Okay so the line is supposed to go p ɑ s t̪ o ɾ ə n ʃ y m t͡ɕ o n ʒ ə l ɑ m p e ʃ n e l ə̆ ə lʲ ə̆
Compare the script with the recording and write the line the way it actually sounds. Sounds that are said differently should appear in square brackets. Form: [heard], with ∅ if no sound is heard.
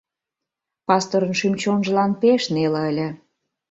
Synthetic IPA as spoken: p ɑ s t̪ o ɾ ə n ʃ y m t͡ɕ o n ʒ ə l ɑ [n] p e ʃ n e l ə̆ ə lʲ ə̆